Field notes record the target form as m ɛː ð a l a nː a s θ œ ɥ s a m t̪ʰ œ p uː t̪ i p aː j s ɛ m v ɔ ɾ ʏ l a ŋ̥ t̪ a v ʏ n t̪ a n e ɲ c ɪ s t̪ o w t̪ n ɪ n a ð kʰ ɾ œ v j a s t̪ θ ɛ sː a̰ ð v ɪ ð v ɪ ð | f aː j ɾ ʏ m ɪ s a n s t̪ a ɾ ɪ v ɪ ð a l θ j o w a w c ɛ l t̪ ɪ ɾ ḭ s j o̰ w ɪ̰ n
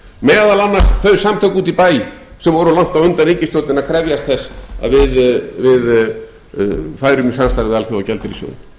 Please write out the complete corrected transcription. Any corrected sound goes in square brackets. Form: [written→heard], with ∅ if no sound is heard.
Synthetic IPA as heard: m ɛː ð a l a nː a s θ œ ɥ s a m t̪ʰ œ [p→k] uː t̪ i p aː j s ɛ m v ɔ ɾ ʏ l a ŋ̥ t̪ a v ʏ n t̪ a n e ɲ c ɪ s t̪ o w t̪ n ɪ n a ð kʰ ɾ [œ→ɛ] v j a s t̪ θ ɛ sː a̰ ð v ɪ ð v ɪ ð | f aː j ɾ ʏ m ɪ s a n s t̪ a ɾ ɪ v ɪ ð a l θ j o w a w c ɛ l t̪ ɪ ɾ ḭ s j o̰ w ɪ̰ n